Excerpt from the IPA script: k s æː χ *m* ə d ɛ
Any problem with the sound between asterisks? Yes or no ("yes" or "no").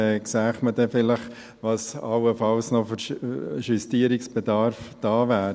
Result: no